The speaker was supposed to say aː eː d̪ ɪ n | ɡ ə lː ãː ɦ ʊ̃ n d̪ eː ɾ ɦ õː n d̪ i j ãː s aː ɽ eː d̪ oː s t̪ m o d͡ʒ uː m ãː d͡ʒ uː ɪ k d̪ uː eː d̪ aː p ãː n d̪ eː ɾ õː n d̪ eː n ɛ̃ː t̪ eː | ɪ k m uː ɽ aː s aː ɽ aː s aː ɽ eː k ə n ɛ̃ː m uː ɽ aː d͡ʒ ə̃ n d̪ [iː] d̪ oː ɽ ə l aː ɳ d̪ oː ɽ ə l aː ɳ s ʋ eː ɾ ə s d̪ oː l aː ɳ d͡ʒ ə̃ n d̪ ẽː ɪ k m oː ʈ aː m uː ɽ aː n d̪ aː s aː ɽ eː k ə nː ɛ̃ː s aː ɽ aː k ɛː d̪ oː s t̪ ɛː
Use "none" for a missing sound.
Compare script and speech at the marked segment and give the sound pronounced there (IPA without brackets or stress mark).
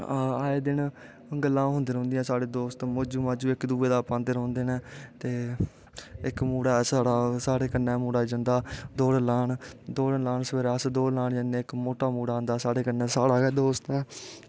aː